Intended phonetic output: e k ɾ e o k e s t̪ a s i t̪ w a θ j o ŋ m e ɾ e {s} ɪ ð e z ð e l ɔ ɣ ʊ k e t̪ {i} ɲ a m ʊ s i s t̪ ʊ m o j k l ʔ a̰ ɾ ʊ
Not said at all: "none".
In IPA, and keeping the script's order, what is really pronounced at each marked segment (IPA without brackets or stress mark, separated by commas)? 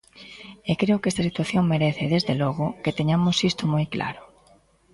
θ, e